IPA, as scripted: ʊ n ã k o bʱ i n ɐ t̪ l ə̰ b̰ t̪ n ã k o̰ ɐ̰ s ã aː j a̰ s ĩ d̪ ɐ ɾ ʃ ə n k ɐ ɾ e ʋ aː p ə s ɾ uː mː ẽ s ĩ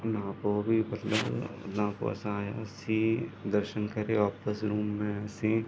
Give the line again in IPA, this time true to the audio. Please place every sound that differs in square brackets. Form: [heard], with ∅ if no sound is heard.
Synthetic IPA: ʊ n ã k o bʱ i [m] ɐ t̪ l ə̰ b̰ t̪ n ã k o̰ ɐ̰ s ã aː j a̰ s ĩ d̪ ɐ ɾ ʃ ə n k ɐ ɾ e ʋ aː p ə s ɾ uː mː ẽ s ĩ